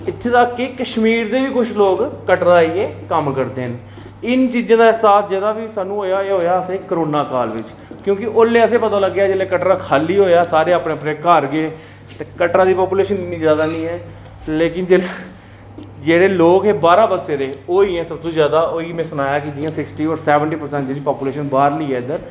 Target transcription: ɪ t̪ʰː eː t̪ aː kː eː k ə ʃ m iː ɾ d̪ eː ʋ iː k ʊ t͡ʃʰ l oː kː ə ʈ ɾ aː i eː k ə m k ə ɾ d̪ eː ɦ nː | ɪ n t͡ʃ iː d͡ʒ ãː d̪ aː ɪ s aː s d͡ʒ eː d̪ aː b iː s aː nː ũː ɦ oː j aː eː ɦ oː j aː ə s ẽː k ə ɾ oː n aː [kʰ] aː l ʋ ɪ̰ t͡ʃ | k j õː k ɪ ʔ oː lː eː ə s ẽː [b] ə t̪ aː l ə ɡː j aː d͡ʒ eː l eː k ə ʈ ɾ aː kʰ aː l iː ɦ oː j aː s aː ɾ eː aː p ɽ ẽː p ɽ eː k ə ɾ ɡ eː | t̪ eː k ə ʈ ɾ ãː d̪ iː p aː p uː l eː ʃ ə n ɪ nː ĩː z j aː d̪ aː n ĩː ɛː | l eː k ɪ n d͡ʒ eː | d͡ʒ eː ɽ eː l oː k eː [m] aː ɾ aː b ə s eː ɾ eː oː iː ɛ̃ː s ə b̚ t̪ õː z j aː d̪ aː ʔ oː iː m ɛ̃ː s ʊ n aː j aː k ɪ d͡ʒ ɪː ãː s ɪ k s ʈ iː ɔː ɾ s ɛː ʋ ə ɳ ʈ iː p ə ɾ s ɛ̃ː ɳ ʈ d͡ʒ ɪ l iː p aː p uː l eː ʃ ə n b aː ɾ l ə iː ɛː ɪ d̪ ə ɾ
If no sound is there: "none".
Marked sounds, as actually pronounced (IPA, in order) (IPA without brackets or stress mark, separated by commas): k, p, b